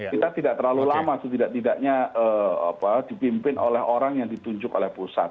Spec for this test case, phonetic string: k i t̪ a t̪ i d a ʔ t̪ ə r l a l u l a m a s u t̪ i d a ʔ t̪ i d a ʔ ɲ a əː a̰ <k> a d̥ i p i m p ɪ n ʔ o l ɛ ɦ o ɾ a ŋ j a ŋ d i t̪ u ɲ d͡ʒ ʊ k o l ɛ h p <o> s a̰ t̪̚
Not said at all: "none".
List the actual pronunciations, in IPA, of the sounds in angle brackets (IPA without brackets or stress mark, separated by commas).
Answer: p, u